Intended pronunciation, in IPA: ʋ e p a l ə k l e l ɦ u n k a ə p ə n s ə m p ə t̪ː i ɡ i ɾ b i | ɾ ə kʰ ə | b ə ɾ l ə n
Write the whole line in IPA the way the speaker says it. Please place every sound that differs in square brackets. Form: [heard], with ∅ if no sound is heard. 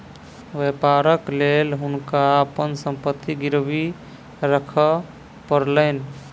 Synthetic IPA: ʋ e p a [ɾ] ə k l e l ɦ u n k a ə p ə n s ə m p ə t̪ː i ɡ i ɾ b i | ɾ ə kʰ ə | [p] ə ɾ l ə n